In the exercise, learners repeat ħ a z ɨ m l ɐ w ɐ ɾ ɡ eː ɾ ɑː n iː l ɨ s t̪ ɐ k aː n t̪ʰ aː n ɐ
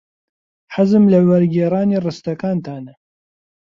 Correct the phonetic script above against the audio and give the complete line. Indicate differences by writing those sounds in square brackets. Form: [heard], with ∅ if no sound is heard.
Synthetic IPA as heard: ħ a z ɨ m l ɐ w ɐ ɾ ɡ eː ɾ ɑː n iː [r] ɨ s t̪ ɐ k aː n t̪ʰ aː n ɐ